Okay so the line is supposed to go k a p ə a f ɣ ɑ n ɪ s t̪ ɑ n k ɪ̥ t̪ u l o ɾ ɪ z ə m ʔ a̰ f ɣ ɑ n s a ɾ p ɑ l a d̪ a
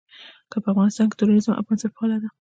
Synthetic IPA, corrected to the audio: k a p ə a f ɣ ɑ n ɪ s t̪ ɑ n k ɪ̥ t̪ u ɾ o ɾ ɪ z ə m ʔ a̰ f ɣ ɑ n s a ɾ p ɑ l a d̪ a